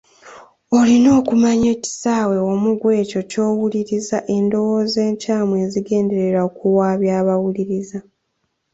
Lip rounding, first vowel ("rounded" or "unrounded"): rounded